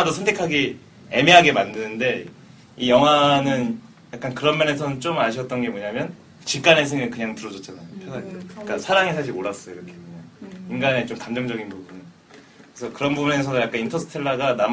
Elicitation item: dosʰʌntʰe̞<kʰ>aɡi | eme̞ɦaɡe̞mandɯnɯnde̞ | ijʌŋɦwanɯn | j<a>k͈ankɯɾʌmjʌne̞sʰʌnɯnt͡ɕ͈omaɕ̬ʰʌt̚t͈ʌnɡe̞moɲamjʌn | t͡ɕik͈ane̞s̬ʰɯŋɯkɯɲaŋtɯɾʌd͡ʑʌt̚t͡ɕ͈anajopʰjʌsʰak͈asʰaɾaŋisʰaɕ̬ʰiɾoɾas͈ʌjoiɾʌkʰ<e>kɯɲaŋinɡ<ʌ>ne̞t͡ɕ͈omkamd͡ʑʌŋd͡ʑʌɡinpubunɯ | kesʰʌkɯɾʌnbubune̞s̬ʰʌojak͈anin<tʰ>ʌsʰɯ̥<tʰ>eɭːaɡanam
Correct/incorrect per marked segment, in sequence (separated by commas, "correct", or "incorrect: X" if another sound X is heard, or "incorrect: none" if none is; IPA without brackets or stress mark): correct, correct, correct, incorrect: a, correct, correct